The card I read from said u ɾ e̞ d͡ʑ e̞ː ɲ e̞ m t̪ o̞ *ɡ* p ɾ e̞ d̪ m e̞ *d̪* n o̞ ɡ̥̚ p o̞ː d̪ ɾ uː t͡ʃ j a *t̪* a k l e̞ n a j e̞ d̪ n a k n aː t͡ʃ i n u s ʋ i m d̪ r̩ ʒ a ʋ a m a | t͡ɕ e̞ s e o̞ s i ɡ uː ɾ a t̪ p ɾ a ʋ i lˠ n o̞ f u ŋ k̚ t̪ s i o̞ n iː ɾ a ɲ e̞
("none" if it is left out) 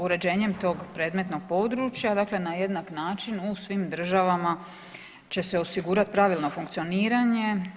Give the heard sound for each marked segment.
ɡ, t̪, d̪

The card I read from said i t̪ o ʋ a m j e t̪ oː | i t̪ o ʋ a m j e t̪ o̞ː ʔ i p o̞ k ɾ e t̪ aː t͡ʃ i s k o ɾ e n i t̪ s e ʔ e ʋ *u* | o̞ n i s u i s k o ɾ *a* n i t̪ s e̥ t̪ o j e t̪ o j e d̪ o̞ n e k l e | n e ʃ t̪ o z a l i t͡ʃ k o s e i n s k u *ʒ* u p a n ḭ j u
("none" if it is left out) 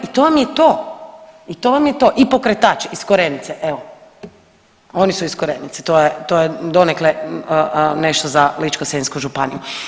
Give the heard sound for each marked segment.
o, e, ʒ

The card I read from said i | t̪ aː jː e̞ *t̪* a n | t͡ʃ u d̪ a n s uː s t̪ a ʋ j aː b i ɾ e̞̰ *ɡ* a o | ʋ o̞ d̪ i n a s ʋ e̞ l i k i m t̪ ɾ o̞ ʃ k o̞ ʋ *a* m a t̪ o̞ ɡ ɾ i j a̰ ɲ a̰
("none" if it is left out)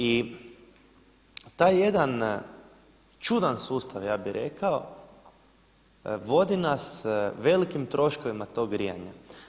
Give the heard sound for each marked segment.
d̪, k, i

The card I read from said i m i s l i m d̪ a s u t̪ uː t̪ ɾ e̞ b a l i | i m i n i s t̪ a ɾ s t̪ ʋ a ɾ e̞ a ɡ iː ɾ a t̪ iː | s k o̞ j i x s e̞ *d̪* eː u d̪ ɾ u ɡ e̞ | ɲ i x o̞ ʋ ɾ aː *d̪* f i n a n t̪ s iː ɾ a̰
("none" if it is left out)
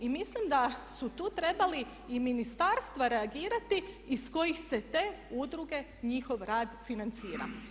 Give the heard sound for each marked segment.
t̪, d̪

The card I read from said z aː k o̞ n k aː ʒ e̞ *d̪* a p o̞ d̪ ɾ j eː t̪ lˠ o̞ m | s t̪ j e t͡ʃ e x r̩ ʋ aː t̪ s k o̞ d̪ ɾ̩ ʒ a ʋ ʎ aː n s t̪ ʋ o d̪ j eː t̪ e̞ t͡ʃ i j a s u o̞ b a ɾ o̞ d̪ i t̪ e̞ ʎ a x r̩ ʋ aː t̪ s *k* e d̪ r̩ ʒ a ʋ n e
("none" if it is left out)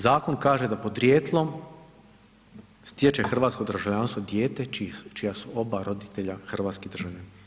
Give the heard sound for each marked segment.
d̪, k

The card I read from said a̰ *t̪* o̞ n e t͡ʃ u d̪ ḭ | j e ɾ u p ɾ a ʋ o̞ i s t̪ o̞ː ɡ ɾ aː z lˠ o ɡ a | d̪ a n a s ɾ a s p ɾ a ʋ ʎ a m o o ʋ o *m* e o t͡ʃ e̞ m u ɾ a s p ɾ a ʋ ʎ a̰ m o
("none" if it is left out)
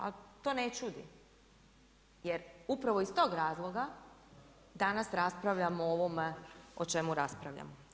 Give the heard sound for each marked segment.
t̪, m

